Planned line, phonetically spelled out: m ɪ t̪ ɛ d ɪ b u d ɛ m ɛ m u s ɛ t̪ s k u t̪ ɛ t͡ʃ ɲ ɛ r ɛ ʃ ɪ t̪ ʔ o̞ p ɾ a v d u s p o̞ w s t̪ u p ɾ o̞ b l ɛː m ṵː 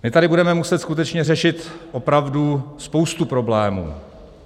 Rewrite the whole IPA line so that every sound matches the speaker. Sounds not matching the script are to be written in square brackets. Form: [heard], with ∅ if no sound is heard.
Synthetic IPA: m ɪ t̪ [a] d ɪ b u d ɛ m ɛ m u s ɛ t̪ s k u t̪ ɛ t͡ʃ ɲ ɛ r ɛ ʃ ɪ t̪ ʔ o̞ p ɾ a v d u s p o̞ w s t̪ u p ɾ o̞ b l ɛː m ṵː